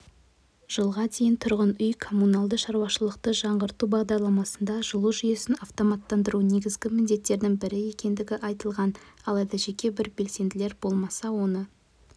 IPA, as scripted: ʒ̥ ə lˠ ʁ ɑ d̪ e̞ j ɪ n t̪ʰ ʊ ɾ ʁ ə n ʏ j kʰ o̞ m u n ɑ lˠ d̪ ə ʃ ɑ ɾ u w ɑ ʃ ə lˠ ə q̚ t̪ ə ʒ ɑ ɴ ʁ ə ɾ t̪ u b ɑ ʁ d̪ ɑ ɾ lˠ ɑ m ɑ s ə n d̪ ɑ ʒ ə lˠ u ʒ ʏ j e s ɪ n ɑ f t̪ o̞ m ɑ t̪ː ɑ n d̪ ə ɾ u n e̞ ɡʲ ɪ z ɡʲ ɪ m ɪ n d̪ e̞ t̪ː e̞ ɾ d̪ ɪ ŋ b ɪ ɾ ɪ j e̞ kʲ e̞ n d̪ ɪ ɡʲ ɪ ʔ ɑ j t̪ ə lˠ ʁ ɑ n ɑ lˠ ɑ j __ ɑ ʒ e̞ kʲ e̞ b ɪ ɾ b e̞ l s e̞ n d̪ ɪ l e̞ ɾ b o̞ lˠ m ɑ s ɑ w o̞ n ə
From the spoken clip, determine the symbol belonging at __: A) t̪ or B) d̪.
B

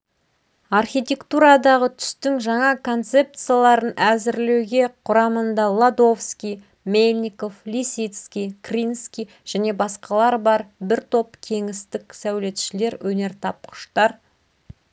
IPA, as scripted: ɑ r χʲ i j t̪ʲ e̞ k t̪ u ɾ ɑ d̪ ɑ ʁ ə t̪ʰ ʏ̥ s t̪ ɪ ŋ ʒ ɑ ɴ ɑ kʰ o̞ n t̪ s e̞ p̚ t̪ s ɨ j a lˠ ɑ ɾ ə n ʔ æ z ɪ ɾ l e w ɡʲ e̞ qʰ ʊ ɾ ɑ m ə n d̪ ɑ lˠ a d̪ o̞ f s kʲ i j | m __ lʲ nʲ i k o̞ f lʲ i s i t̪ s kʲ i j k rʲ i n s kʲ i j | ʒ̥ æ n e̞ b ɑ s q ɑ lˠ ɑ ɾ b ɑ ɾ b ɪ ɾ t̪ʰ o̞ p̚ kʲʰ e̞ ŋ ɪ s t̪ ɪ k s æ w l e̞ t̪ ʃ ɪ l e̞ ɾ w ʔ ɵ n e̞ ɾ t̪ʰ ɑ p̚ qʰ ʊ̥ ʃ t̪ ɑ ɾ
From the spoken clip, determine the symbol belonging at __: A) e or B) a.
A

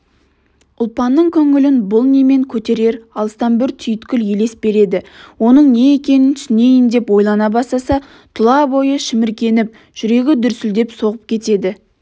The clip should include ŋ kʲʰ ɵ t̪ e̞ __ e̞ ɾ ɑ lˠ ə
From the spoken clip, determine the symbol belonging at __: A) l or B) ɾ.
B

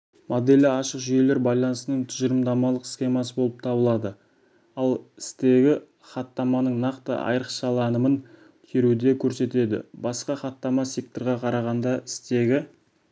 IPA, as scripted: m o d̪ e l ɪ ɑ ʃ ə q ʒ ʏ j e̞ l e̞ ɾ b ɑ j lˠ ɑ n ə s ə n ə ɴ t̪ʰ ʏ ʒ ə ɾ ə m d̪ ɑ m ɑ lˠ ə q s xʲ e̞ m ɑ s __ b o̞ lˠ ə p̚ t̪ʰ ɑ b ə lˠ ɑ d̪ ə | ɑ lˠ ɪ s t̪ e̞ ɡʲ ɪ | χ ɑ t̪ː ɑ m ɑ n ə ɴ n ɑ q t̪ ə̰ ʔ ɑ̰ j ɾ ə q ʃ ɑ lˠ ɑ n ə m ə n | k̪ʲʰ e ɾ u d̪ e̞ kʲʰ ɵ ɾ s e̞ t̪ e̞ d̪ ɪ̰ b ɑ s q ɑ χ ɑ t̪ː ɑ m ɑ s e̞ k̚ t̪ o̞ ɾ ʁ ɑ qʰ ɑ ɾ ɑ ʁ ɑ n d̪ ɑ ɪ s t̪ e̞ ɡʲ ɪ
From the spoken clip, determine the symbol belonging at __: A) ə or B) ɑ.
A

